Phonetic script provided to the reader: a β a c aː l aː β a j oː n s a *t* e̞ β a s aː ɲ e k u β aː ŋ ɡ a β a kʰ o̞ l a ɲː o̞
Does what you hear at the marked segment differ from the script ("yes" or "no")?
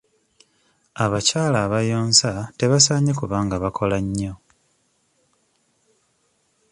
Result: no